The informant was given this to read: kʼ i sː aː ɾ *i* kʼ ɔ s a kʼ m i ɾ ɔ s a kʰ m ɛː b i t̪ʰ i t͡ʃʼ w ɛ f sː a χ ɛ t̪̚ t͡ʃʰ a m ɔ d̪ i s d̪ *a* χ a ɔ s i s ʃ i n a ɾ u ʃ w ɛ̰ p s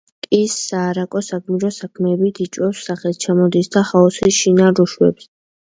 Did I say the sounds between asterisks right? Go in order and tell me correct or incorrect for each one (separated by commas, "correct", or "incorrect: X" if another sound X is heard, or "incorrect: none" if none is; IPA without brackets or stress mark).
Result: incorrect: a, correct